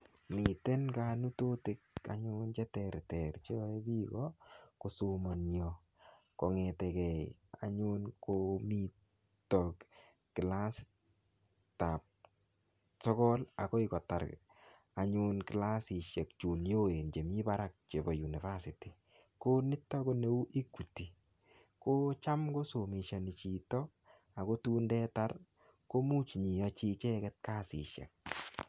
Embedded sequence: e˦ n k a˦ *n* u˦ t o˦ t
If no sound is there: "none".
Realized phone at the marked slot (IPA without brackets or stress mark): n